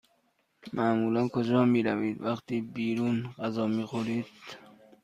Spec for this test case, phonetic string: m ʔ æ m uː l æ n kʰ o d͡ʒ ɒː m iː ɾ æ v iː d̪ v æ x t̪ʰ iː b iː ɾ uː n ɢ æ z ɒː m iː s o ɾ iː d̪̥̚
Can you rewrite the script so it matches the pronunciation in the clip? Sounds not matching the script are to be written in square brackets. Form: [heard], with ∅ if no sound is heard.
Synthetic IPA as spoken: m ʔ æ m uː l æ n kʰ o d͡ʒ ɒː m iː ɾ æ v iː d̪ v æ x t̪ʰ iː b iː ɾ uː n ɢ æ z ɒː m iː [x] o ɾ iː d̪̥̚